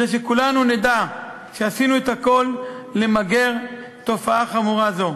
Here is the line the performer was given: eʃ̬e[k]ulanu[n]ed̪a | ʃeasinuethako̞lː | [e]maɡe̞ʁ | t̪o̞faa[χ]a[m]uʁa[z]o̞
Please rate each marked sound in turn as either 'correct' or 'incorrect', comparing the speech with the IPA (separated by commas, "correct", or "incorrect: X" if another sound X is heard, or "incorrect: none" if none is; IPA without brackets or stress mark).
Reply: correct, correct, correct, correct, correct, correct